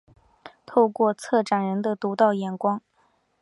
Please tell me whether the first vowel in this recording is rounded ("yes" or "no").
yes